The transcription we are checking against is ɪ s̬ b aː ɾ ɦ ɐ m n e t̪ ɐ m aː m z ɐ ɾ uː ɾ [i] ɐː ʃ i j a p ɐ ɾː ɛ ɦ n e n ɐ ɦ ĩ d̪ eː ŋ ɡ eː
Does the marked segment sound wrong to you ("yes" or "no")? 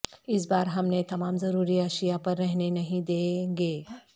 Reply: no